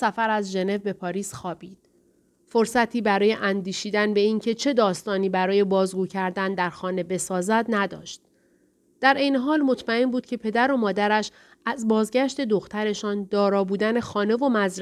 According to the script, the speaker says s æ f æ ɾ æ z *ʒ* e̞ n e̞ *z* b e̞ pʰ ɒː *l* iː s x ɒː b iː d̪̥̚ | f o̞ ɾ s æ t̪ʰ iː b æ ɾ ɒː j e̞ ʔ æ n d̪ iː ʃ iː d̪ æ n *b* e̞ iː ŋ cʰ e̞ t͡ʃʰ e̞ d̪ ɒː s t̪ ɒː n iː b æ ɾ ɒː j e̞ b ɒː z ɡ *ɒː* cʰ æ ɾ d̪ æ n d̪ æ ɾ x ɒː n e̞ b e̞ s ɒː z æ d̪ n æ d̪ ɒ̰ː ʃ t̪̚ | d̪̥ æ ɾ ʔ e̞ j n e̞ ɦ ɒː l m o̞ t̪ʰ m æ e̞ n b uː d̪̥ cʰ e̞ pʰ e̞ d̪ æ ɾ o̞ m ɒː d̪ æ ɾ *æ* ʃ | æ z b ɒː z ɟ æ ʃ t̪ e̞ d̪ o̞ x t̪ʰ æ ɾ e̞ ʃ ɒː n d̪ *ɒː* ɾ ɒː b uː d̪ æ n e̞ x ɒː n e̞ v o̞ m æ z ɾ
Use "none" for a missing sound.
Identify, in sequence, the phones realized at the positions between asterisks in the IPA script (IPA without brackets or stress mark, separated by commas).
ʒ, v, ɾ, b, uː, æ, ɒː